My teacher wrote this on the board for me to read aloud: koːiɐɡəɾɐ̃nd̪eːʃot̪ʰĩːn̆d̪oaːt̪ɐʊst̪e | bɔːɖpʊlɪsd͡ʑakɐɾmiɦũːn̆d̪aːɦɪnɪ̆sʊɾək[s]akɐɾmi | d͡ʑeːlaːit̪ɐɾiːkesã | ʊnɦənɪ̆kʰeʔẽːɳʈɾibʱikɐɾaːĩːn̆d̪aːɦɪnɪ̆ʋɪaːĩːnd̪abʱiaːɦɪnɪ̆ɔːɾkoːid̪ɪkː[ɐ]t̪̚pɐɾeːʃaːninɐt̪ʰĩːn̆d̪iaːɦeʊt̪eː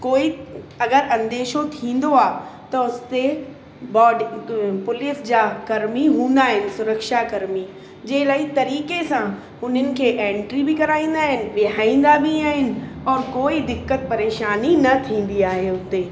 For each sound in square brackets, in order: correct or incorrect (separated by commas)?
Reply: incorrect, incorrect